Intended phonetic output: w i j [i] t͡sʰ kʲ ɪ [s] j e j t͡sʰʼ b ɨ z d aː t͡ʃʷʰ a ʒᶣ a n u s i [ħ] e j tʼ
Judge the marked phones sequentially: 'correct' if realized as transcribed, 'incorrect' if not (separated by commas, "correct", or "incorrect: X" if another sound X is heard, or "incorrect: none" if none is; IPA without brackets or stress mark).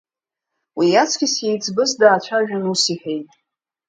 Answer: incorrect: a, correct, correct